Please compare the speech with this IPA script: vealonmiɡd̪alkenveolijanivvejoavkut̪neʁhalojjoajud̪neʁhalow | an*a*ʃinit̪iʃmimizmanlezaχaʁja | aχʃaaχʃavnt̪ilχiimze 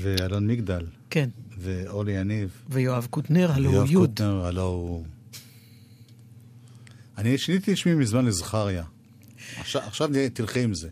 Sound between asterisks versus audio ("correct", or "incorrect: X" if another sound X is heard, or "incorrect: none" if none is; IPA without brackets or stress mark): incorrect: i